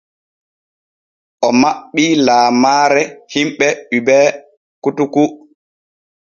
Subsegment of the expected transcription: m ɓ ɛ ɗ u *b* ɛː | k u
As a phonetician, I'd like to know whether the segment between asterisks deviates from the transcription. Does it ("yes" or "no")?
no